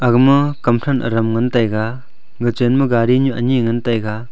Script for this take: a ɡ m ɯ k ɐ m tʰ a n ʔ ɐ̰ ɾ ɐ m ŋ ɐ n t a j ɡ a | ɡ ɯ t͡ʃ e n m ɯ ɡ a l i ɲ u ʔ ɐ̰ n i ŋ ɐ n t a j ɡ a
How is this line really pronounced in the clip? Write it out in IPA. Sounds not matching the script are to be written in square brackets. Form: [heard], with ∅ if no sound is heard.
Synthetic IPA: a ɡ m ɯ k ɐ m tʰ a n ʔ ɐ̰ ɾ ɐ m ŋ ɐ n t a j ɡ a | ɡ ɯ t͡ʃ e n m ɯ ɡ a [ɾ] i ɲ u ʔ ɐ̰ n i ŋ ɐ n t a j ɡ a